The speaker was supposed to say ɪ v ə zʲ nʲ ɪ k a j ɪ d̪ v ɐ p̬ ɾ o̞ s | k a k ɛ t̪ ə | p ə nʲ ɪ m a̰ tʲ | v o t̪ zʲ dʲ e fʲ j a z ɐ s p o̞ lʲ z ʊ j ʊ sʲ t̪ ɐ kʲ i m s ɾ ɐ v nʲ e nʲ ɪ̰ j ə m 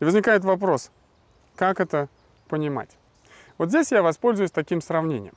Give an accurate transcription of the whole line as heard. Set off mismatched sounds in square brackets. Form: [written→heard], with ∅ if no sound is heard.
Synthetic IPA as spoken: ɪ v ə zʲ nʲ ɪ k a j ɪ [d̪→t̪] v ɐ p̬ ɾ o̞ s | k a k ɛ t̪ ə | p ə nʲ ɪ m a̰ tʲ | v o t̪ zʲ dʲ e [fʲ→sʲ] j a [z→v] ɐ s p o̞ lʲ z ʊ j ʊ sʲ t̪ ɐ kʲ i m s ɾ ɐ v nʲ e nʲ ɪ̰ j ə m